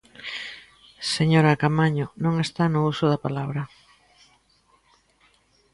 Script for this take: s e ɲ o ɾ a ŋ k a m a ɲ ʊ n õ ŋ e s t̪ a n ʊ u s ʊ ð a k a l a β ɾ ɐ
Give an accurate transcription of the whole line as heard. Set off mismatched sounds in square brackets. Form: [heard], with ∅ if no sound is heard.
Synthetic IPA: s e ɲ o ɾ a [∅] k a m a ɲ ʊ n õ ŋ e s t̪ a n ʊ u s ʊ ð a [p] a l a β ɾ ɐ